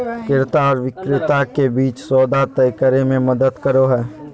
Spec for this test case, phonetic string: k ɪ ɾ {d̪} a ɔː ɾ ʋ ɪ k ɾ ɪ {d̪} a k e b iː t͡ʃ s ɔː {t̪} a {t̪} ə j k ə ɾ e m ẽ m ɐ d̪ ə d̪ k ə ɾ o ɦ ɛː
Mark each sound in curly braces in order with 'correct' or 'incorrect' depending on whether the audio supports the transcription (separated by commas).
incorrect, incorrect, incorrect, correct